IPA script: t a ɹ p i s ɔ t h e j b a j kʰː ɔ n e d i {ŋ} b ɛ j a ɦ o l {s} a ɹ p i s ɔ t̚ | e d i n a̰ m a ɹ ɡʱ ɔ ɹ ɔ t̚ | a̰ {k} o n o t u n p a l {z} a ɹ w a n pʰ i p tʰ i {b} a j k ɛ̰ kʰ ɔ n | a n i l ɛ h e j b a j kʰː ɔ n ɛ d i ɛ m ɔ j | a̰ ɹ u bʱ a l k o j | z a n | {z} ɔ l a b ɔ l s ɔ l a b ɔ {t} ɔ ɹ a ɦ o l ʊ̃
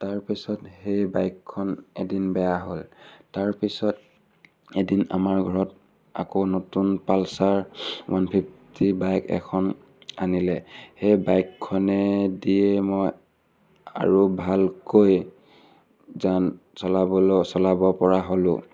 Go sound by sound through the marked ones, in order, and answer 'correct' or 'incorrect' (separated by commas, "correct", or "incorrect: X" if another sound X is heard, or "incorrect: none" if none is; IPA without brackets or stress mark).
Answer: incorrect: n, incorrect: t, correct, incorrect: s, correct, incorrect: s, incorrect: p